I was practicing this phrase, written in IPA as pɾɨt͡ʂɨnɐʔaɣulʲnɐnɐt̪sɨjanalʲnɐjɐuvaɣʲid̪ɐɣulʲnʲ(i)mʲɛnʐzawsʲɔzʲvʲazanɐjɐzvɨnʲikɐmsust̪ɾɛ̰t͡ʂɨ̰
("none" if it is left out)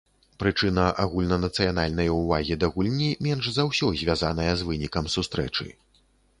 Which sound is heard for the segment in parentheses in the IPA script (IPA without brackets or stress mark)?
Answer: i